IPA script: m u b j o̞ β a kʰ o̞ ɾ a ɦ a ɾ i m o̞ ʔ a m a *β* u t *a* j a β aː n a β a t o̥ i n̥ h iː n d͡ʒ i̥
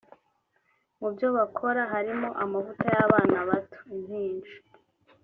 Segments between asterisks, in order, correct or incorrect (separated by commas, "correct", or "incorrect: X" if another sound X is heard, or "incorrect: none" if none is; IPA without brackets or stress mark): incorrect: v, correct